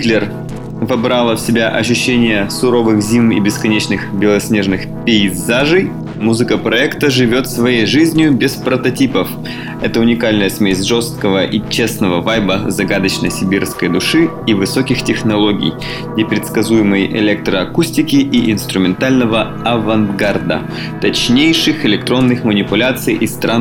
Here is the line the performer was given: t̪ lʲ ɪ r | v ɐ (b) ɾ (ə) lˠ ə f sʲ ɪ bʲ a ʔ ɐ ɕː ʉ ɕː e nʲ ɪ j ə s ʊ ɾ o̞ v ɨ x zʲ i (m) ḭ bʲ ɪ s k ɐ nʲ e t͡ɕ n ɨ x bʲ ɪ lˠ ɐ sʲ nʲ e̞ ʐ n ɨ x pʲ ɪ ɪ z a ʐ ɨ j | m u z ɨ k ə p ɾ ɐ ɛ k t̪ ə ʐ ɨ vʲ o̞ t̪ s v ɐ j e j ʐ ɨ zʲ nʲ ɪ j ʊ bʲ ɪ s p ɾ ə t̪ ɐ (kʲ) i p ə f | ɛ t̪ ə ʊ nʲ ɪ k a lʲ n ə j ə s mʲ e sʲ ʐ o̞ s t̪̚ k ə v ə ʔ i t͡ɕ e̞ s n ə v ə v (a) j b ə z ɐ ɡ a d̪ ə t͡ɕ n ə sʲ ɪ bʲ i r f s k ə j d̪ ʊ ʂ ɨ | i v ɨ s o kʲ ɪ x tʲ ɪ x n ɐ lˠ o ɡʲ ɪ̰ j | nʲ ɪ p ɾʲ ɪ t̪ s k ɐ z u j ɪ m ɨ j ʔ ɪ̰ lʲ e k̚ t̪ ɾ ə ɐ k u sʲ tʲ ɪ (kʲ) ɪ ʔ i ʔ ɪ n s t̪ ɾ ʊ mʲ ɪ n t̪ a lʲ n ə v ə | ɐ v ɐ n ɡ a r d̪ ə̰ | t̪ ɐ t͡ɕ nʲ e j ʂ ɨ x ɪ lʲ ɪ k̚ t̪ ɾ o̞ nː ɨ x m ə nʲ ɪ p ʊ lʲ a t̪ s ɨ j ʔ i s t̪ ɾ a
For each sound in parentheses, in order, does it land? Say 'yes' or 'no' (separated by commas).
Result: yes, no, yes, no, yes, yes